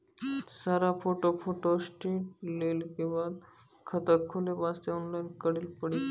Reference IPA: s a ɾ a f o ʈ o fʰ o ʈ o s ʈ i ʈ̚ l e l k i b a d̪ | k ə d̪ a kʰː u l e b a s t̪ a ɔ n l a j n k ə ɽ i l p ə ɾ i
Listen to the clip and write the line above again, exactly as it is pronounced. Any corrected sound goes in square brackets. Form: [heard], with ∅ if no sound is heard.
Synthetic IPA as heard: s a ɾ a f o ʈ o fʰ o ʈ o s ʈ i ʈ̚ l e l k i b a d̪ | [kʰ] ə [t̪] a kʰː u l e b a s t̪ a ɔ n l a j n k ə ɽ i l p ə [ɽ] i